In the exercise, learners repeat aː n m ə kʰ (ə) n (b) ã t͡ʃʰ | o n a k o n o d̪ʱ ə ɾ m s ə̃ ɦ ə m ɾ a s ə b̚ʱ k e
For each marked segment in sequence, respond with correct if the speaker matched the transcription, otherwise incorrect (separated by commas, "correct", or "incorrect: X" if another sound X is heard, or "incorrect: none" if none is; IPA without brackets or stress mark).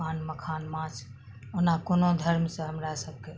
incorrect: a, incorrect: m